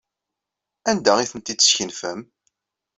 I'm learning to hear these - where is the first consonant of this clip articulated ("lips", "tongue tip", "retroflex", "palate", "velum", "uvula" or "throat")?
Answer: tongue tip